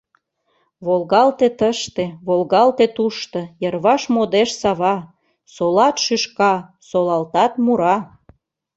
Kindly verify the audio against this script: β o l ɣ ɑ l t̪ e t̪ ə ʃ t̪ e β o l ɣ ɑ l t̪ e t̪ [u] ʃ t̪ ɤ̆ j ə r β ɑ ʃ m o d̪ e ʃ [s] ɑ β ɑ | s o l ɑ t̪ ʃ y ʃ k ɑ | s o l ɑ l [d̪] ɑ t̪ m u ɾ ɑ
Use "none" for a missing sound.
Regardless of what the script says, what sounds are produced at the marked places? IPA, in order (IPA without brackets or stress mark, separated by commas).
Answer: u, s, t̪